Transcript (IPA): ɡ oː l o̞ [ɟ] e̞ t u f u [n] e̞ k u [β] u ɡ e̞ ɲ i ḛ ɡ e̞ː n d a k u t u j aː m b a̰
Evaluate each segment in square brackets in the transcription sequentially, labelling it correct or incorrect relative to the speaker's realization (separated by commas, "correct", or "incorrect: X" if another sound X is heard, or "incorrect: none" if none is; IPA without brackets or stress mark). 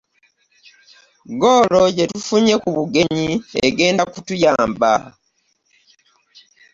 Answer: correct, incorrect: ɲ, correct